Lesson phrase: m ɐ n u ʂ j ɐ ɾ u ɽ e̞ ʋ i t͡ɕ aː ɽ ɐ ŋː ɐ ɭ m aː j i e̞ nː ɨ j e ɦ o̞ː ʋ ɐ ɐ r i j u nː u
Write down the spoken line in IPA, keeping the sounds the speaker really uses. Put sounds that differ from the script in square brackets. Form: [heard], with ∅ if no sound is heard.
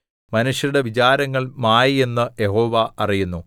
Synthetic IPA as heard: m ɐ n u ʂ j ɐ ɾ u ɽ e̞ ʋ i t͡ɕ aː [ɾ] ɐ ŋː ɐ ɭ m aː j i e̞ nː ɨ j e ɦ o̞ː ʋ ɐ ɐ r i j u nː u